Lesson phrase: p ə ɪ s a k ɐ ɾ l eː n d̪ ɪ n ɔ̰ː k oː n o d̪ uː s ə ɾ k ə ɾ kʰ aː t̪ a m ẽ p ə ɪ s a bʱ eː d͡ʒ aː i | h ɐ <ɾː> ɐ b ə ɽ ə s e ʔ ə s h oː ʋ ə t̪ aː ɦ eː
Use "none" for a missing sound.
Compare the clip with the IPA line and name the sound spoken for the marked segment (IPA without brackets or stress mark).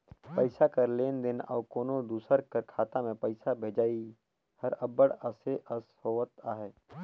ɾ